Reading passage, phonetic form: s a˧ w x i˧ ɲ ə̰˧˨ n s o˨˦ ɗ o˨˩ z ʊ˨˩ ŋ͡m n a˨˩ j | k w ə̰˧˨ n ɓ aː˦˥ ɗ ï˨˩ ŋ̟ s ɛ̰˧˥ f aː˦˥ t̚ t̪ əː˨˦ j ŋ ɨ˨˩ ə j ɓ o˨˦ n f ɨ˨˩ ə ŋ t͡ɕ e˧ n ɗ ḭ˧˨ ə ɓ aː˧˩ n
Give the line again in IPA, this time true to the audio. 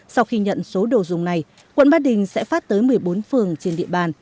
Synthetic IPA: s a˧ w x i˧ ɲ ə̰˧˨ n s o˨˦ ɗ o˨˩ z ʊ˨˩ ŋ͡m n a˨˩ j | k w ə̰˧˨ n ɓ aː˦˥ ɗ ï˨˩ ŋ̟ s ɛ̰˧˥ f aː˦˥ t̚ t̪ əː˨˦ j m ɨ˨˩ ə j ɓ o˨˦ n f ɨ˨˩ ə ŋ t͡ɕ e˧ n ɗ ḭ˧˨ ə ɓ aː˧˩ n